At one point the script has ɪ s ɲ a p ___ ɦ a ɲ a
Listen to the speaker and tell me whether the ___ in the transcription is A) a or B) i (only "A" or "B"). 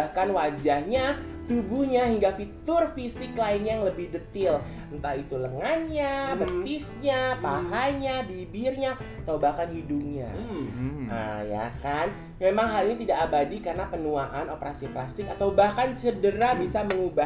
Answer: A